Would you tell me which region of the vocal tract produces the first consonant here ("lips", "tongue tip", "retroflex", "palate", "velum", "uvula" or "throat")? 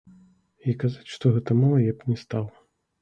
velum